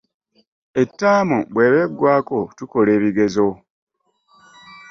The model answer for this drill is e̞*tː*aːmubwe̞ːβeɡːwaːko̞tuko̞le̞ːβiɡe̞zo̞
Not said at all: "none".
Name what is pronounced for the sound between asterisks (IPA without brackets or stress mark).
tː